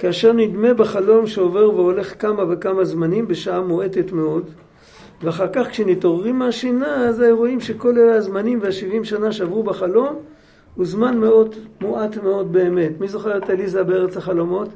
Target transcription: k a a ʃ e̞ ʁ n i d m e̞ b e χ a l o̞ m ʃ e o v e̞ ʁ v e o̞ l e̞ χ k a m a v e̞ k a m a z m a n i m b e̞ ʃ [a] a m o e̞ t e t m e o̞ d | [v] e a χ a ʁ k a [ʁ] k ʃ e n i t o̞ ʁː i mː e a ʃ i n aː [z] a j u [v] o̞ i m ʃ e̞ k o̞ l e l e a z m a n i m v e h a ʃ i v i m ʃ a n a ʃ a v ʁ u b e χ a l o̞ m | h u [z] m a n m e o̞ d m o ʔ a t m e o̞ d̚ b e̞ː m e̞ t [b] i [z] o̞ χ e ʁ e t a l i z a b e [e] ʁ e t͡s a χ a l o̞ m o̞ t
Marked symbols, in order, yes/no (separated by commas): yes, yes, no, yes, no, yes, no, yes, yes